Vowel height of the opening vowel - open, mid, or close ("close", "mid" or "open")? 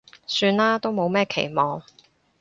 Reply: close